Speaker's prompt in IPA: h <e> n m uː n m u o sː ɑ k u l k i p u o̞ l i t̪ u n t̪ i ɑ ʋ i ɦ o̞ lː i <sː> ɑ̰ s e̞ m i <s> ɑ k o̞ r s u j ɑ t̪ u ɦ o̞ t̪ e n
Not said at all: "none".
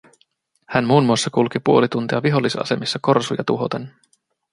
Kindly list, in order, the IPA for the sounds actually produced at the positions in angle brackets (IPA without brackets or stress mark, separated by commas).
æ, s, sː